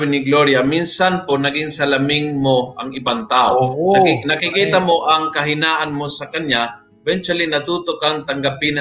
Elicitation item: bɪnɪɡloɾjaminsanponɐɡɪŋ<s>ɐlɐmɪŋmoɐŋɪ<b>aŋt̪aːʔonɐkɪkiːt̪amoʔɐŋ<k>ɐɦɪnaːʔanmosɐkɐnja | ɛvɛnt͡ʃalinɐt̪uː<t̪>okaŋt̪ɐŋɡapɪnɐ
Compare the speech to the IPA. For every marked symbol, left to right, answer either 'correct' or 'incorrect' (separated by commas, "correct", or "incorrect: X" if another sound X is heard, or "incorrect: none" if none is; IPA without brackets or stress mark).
correct, correct, correct, correct